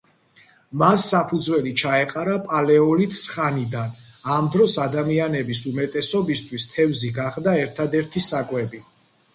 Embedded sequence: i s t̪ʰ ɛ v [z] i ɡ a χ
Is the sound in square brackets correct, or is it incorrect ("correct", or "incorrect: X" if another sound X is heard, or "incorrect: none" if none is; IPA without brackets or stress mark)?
correct